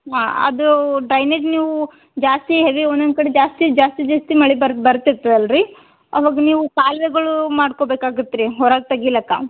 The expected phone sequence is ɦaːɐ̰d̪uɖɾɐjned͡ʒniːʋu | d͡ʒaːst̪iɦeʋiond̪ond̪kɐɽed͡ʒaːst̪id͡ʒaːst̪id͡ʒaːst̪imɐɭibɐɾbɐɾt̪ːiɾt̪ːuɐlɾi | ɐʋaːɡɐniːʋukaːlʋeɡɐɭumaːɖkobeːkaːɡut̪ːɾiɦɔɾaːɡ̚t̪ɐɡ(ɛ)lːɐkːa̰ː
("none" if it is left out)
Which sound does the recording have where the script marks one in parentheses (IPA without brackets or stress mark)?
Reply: i